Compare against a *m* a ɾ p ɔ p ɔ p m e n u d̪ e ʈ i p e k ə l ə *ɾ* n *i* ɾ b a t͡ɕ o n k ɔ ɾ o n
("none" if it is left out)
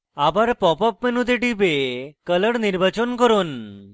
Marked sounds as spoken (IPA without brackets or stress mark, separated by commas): b, ɽ, i